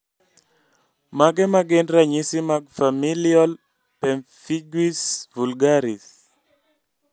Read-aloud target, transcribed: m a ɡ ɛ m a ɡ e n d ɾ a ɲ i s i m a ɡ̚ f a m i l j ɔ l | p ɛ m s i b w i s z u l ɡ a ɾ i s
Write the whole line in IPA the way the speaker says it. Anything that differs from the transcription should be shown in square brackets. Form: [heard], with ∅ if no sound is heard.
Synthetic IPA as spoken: m a ɡ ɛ m a ɡ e n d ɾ a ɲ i s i m a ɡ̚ f a m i l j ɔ l | p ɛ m [f] i [ɡ] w i s [v] u l ɡ a ɾ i s